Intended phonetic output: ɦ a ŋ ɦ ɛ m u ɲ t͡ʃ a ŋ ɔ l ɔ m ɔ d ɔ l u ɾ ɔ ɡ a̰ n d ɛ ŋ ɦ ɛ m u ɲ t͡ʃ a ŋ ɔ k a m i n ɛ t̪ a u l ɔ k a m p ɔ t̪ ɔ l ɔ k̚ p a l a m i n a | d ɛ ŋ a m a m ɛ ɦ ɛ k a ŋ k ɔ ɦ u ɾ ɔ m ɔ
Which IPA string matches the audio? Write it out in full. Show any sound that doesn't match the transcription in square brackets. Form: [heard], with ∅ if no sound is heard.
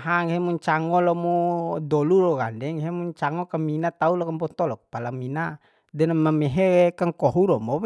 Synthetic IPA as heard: ɦ a ŋ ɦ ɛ m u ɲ t͡ʃ a ŋ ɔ l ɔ m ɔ d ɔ l u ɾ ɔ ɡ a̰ n d ɛ ŋ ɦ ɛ m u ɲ t͡ʃ a ŋ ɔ k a m i n [a] t̪ a u l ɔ k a m p ɔ t̪ ɔ l ɔ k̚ p a l a m i n a | d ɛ [n] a m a m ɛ ɦ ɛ k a ŋ k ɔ ɦ u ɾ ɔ m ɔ

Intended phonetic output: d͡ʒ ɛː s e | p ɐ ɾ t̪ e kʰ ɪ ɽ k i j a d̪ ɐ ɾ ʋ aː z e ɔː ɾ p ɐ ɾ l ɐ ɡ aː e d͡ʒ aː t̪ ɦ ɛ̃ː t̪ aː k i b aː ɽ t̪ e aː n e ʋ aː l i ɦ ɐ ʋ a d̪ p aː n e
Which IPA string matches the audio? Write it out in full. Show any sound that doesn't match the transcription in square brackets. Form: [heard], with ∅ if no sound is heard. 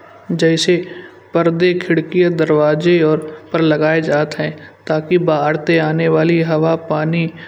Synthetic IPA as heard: d͡ʒ ɛː s e | p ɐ ɾ [d̪] e kʰ ɪ ɽ k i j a d̪ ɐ ɾ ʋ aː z e ɔː ɾ p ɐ ɾ l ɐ ɡ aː e d͡ʒ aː t̪ ɦ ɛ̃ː t̪ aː k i b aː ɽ t̪ e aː n e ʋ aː l i ɦ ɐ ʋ a [∅] p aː n [i]

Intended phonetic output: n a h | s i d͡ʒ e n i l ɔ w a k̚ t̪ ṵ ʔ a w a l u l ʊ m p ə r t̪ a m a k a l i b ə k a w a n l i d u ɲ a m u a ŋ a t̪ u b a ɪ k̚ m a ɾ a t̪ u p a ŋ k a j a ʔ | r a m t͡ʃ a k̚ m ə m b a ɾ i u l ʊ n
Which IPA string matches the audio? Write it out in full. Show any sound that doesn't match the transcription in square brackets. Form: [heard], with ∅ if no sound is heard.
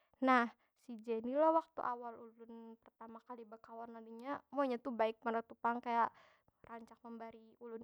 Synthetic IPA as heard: n a h | s i d͡ʒ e n i l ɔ w a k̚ t̪ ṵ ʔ a w a l u l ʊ [n] p ə r t̪ a m a k a l i b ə k a w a n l [a] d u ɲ a m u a [ɲ] a t̪ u b a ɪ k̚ m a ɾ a t̪ u p a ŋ k a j a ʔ | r a [ɲ] t͡ʃ a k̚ m ə m b a ɾ i u l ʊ n

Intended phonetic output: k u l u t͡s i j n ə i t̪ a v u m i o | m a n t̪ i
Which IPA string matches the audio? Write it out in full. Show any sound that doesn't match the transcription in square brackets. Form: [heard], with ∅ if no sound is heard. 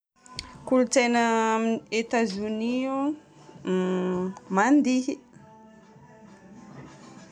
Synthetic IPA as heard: k u l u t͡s [e] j n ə [e] t̪ a [z] u [n] i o | m a n [d̪] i

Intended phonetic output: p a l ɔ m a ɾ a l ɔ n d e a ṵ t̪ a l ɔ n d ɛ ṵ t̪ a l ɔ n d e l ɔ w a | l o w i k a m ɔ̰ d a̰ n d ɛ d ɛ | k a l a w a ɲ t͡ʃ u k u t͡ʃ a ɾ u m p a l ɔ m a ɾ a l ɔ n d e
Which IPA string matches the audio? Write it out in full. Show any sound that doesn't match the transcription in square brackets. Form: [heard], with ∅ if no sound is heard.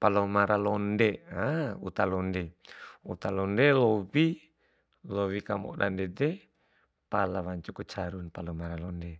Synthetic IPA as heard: p a l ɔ m a ɾ a l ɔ n d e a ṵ t̪ a l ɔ n d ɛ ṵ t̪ a l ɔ n d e l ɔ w [i] | l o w i k a m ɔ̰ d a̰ n d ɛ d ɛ | [p] a l a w a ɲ t͡ʃ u k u t͡ʃ a ɾ u [n] p a l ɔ m a ɾ a l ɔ n d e

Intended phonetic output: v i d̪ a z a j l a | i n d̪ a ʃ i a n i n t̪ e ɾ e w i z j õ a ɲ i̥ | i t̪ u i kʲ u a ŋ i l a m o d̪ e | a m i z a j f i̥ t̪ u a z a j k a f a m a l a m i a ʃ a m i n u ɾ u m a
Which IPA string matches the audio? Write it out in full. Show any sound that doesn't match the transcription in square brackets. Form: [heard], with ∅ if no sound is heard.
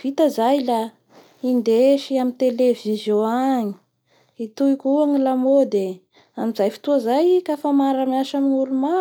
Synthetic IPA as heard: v i [t̪] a z a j l a | i n d̪ [e] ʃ i a [m] i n t̪ e [l] e [v] i z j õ a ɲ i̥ | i t̪ u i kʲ u a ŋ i l a m o d̪ e | a m i z a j f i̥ t̪ u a z a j k a f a m a [ɾ] a m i a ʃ a m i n u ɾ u m a

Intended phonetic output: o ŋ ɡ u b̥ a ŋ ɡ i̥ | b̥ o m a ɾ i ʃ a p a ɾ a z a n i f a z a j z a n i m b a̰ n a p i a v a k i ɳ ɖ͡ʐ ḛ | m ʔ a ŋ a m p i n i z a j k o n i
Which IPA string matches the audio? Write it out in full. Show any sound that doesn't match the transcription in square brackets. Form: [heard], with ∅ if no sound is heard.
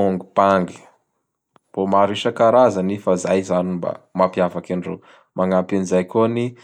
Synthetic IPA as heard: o ŋ ɡ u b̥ a ŋ ɡ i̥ | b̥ o m a ɾ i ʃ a [k] a ɾ a z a n i f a z a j z a n i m b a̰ [m] a p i a v a k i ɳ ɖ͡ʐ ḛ | m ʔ a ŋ a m p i n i z a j k o n i

